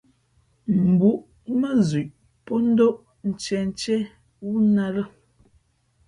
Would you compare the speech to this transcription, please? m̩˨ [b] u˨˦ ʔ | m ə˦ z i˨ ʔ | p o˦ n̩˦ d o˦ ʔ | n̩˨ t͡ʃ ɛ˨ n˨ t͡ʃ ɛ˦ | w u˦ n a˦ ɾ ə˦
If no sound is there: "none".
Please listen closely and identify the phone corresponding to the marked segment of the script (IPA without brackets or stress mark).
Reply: b